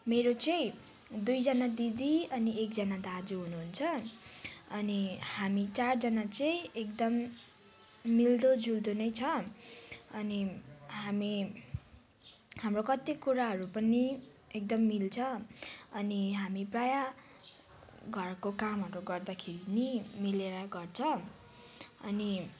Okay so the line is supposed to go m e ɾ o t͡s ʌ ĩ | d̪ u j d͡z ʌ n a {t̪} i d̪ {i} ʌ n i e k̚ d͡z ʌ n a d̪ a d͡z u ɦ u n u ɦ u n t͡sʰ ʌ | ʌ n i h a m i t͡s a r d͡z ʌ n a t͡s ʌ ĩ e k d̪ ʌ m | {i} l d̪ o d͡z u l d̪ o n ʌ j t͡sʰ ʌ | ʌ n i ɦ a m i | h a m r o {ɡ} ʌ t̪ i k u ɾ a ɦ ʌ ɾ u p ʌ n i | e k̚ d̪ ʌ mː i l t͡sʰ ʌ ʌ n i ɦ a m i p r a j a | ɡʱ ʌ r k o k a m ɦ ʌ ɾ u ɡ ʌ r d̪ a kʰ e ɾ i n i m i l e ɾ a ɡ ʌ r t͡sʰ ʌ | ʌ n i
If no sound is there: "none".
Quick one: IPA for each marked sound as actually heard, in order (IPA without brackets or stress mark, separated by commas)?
d̪, i, i, k